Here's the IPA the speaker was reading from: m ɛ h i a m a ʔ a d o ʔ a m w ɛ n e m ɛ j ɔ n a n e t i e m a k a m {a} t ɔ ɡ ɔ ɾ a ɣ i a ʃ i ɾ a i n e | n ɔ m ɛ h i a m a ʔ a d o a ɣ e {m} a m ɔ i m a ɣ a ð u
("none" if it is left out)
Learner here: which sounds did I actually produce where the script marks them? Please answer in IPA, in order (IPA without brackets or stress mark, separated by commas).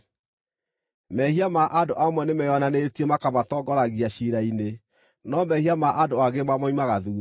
a, m